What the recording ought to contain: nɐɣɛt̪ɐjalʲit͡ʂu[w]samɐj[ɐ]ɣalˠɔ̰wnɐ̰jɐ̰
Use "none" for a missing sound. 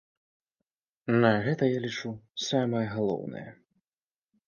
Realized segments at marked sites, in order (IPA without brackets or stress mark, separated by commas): none, ɐ